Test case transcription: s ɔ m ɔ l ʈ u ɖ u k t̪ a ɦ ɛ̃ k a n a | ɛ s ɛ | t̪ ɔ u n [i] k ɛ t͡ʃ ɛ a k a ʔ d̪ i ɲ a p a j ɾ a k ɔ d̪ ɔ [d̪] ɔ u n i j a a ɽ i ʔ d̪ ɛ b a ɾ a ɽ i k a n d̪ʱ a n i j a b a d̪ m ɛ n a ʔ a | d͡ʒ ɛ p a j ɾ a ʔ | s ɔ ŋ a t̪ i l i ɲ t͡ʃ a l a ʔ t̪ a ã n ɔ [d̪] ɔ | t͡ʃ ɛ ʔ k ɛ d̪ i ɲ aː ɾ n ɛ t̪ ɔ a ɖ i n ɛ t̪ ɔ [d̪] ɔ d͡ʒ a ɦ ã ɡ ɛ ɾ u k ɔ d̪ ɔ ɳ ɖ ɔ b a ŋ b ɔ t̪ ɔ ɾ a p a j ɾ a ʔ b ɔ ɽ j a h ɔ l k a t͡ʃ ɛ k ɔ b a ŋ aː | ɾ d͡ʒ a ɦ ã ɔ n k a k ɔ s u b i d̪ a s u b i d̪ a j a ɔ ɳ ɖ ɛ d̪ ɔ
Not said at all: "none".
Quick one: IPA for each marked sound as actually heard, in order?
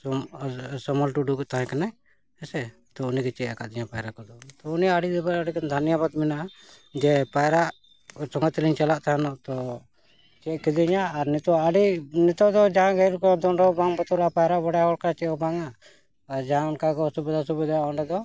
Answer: i, t̪, t̪, d̪

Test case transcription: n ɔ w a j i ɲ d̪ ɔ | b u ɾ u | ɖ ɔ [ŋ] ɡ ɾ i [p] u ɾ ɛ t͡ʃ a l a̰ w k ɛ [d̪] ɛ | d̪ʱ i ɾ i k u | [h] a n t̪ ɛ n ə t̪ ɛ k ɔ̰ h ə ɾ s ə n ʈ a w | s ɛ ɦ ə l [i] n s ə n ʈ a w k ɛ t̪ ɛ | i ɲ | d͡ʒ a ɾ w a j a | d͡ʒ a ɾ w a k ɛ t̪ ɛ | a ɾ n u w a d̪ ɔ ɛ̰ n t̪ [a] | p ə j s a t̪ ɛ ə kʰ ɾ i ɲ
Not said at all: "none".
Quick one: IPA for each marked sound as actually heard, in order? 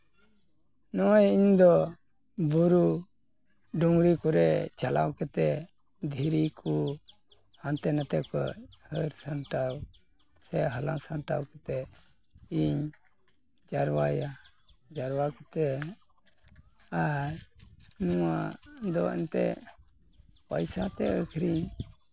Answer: ŋ, k, t̪, h, a, ɛ

